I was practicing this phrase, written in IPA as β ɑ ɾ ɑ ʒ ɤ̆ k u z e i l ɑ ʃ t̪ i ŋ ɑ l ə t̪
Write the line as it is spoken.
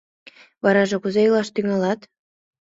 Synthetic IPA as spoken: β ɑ ɾ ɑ ʒ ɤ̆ k u z e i l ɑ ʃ t̪ y ŋ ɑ l ɑ t̪